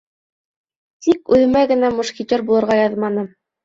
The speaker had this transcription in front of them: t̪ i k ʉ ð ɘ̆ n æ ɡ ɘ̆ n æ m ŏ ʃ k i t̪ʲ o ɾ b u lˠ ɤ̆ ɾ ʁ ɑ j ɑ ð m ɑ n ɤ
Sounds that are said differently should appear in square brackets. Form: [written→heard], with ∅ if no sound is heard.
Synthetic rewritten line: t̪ i k ʉ ð ɘ̆ [n→m] æ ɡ ɘ̆ n æ m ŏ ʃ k i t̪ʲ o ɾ b u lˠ ɤ̆ ɾ ʁ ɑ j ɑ ð m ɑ n ɤ